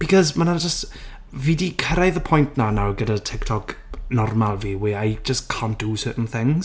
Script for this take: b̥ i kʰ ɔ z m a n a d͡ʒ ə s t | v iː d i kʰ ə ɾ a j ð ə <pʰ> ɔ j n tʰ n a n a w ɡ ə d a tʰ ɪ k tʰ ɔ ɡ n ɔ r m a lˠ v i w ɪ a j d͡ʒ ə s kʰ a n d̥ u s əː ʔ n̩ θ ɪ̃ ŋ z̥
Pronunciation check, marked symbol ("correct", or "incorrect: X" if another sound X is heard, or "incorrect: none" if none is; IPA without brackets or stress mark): correct